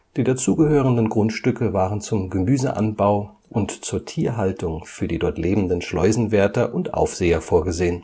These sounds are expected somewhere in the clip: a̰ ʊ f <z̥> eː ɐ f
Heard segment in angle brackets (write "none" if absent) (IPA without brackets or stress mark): z̥